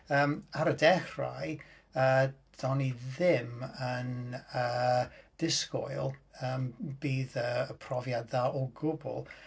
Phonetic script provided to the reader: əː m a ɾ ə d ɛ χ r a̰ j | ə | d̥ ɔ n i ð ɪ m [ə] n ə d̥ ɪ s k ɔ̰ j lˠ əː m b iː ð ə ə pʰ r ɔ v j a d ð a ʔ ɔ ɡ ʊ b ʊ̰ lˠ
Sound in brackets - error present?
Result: no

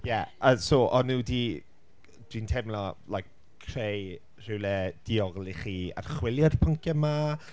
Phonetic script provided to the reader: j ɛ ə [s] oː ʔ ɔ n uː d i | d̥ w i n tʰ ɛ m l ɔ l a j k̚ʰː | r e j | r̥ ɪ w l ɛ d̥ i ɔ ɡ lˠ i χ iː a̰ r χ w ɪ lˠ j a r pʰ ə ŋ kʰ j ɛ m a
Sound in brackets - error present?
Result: no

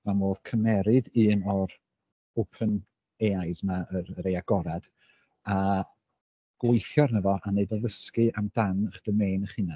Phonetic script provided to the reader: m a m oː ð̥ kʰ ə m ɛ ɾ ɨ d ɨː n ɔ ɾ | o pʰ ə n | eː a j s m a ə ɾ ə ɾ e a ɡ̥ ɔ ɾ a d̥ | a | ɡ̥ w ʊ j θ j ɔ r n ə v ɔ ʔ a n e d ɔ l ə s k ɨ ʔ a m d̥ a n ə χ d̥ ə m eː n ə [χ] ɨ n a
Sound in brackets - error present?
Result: no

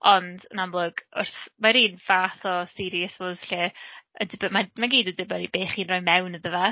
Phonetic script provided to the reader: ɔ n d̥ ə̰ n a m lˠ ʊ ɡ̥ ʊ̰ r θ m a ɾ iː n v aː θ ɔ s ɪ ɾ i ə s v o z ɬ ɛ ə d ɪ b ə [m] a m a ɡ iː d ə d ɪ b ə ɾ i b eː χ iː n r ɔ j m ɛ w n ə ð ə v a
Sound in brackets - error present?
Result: no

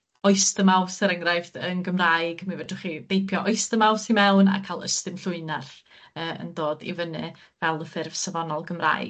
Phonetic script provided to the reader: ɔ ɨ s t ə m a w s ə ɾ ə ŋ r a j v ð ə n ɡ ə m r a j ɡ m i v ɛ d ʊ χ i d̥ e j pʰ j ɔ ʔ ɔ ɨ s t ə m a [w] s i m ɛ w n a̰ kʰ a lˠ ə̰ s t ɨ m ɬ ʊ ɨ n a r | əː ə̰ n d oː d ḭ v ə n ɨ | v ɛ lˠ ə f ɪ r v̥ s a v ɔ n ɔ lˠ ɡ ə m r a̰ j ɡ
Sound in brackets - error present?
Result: no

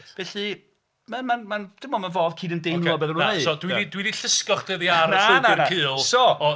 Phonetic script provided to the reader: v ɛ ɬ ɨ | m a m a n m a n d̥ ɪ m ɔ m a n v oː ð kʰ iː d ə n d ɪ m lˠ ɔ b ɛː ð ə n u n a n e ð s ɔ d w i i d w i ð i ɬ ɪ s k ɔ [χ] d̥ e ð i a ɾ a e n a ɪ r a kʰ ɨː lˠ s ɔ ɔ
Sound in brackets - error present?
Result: no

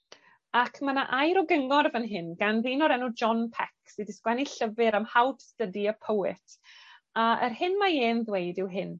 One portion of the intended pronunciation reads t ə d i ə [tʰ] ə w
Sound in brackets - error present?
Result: yes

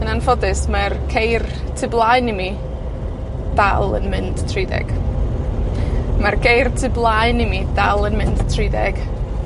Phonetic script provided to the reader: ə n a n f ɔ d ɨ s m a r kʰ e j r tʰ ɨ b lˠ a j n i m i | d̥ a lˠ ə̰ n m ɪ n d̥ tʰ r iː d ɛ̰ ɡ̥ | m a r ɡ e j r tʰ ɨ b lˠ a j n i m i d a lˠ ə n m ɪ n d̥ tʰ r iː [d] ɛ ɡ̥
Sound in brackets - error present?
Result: no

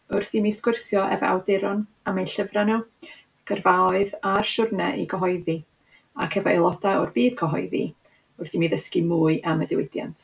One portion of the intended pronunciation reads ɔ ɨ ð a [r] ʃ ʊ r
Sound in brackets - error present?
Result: no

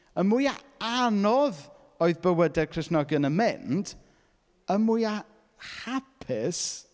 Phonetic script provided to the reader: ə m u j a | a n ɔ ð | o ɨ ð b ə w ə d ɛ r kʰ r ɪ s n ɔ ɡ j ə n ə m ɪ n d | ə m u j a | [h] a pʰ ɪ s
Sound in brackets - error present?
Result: no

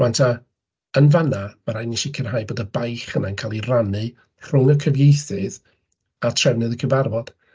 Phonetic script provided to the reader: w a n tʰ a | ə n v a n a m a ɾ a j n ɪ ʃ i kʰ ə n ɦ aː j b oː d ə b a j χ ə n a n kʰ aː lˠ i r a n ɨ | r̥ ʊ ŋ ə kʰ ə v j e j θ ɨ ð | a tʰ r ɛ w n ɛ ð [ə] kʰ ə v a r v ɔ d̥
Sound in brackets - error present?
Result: no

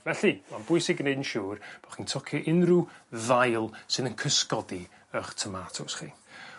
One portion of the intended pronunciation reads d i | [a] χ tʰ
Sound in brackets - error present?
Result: yes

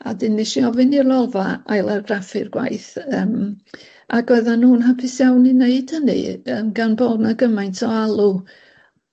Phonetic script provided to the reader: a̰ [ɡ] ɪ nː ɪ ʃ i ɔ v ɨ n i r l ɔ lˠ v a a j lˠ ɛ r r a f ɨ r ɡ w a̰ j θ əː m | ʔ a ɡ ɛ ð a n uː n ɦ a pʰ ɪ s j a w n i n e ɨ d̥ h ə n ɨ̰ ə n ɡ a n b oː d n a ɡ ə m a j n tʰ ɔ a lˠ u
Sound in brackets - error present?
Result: yes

